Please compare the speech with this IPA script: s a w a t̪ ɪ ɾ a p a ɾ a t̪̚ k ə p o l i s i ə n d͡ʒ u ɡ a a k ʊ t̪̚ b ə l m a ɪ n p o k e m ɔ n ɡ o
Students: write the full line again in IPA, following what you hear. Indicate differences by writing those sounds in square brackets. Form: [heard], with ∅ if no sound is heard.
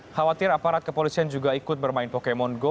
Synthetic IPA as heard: [h] a w a t̪ ɪ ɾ a p a ɾ a t̪̚ k ə p o l i s i [a] n d͡ʒ u ɡ a [i] k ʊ t̪̚ b ə [r] m a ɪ n p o k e m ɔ n ɡ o